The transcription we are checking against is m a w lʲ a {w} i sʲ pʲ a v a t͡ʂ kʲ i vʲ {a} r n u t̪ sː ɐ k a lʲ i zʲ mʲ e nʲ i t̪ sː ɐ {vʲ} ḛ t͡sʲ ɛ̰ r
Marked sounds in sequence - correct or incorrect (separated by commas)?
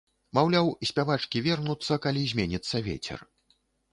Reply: correct, incorrect, correct